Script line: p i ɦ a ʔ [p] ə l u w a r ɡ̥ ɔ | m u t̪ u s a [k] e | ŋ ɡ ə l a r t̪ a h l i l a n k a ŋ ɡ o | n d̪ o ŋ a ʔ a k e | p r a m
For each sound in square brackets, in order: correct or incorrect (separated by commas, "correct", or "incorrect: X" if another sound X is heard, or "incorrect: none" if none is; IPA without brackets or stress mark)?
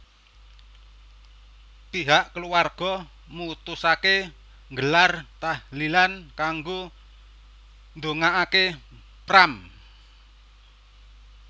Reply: incorrect: k, correct